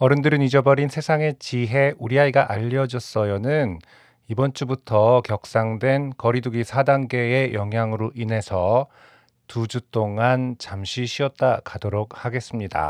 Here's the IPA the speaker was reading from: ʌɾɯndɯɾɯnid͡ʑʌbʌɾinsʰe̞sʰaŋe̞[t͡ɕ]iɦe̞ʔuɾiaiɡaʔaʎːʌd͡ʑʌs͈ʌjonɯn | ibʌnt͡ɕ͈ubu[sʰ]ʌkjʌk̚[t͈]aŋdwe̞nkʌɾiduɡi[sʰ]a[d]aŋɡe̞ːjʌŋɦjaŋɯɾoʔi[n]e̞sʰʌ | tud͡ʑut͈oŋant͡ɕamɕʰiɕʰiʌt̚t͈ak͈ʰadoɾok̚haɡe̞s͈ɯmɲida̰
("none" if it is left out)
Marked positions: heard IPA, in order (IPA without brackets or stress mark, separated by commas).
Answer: t͡ɕ, tʰ, s͈, sʰ, d, n